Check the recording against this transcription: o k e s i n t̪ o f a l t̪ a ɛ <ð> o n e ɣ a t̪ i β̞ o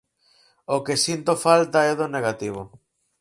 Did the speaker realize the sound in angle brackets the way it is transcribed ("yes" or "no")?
yes